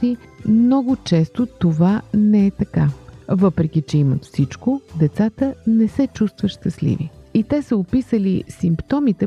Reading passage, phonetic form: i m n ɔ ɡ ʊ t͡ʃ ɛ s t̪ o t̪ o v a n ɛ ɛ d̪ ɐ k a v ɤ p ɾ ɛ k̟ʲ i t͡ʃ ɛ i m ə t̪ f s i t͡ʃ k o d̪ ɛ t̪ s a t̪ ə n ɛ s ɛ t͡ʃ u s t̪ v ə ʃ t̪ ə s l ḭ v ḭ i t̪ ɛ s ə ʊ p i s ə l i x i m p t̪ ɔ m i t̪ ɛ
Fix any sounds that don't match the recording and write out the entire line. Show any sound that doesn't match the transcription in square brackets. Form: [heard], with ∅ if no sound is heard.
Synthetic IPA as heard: i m n ɔ ɡ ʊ t͡ʃ ɛ s t̪ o t̪ o v a n ɛ ɛ [t̪] ɐ k a v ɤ p ɾ ɛ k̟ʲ i t͡ʃ ɛ i m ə t̪ f s i t͡ʃ k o d̪ ɛ t̪ s a t̪ ə n ɛ s ɛ t͡ʃ u s t̪ v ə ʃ t̪ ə s l ḭ v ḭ i t̪ ɛ s ə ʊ p i s ə l i [s] i m p t̪ ɔ m i t̪ ɛ